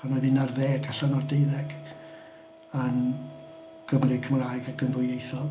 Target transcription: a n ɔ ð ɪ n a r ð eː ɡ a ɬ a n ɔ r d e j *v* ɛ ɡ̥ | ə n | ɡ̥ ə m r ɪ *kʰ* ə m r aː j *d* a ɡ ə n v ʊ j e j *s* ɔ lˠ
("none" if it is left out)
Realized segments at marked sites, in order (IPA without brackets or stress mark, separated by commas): ð, kʰ, ɡ, θ